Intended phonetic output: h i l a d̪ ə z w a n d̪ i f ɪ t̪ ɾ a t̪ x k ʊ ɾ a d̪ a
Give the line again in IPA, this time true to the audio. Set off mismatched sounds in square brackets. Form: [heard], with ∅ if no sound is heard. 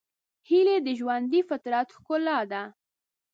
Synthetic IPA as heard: h i l [e] d̪ ə [ʒ] w a n d̪ i f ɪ t̪ ɾ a t̪ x k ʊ [l] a d̪ a

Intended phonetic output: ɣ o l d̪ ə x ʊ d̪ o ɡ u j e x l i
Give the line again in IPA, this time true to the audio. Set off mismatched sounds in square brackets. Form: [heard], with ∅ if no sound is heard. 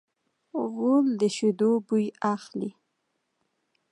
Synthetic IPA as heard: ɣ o l d̪ ə [ʃ] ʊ d̪ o [b] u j [a] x l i

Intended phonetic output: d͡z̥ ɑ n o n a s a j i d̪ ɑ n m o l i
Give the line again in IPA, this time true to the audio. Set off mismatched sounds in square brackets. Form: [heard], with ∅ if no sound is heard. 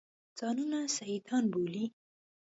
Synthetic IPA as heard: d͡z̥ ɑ n [u] n a s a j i d̪ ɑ n [b] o l i

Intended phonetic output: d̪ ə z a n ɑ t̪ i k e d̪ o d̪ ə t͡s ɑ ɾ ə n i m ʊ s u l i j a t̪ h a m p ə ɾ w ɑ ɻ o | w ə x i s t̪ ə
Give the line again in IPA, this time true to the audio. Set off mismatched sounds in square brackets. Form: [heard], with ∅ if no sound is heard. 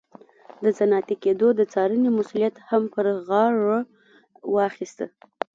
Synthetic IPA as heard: d̪ ə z a n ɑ t̪ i k e d̪ o d̪ ə t͡s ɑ ɾ ə n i m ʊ s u l i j a t̪ h a m p ə ɾ [ɣ] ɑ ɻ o | w [ɑ] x i s t̪ ə

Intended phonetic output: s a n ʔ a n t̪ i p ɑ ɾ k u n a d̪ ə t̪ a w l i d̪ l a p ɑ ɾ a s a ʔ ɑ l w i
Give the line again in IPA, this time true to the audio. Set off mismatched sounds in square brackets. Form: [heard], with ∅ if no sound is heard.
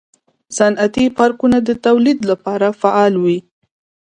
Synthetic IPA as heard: s a n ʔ a [∅] t̪ i p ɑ ɾ k u n a d̪ ə t̪ a w l i d̪ l a p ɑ ɾ a [f] a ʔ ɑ l w i

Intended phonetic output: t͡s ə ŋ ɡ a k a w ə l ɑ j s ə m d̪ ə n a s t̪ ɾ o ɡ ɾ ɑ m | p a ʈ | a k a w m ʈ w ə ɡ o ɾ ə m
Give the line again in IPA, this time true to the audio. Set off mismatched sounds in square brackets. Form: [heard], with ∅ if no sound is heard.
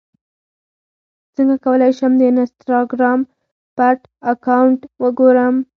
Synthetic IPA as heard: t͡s ə ŋ ɡ a k a w ə l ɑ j [ʃ] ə m d̪ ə n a s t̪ ɾ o ɡ ɾ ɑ m | p a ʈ | a k a w [ɳ] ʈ w ə ɡ o ɾ ə m

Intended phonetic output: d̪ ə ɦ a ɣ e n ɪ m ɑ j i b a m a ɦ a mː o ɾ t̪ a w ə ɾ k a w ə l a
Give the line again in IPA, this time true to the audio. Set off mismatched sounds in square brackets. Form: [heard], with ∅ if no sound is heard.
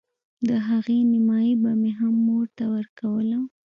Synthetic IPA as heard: d̪ ə ɦ a ɣ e n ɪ m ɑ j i b a m [e] ɦ a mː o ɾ t̪ a w ə ɾ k a w ə l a

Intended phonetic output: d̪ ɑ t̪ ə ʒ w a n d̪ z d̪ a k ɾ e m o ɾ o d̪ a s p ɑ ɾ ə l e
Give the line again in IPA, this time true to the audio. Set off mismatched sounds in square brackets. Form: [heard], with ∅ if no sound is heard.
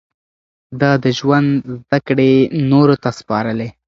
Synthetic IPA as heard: d̪ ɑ [d̪] ə ʒ w a n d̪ z d̪ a k [ɽ] e [n] o ɾ o [t̪] a s p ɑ ɾ ə l e

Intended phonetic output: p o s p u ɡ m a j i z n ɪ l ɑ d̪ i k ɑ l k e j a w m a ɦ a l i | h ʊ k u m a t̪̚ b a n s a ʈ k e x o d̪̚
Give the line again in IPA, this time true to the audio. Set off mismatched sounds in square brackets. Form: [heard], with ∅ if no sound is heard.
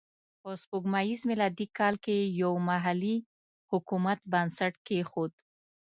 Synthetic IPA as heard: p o s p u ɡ m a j i z [m] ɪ l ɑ d̪ i k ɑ l k e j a w m a ɦ a l i | h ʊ k u m a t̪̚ b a n s a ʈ k e x o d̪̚

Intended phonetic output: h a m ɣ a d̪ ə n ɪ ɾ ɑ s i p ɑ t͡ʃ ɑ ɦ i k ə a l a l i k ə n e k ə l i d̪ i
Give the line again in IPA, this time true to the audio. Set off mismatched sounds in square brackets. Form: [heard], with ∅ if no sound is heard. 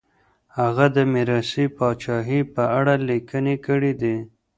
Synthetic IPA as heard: h a [∅] ɣ a d̪ ə [m] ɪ ɾ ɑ s i p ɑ t͡ʃ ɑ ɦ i [p] ə a [ɽ] a l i k ə n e k ə [ɽ] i d̪ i

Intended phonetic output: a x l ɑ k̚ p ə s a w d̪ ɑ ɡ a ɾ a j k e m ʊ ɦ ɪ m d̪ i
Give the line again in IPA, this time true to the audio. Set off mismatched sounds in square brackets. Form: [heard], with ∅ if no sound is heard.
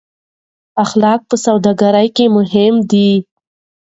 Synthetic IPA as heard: a x l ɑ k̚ p ə s a w d̪ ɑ ɡ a ɾ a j k e m ʊ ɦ ɪ m d̪ i

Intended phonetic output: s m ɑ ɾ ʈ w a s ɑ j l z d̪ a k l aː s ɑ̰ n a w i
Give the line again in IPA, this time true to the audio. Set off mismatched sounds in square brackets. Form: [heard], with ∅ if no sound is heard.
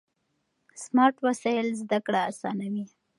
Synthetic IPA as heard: s m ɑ ɾ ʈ w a s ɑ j l z d̪ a k [ɽ] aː s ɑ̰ n a w i

